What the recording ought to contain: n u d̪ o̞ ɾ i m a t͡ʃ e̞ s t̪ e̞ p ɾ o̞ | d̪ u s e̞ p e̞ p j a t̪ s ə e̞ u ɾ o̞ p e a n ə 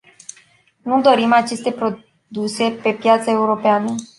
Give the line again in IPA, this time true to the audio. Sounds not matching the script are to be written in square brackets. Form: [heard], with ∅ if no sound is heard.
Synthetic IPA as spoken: n u d̪ o̞ ɾ i m a t͡ʃ e̞ s t̪ e̞ p ɾ o̞ | d̪ u s e̞ p e̞ p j a t̪ s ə e̞ u ɾ o̞ p e a n ə